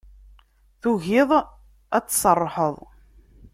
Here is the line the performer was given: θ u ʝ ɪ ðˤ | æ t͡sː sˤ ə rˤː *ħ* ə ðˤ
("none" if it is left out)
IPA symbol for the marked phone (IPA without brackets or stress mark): ħ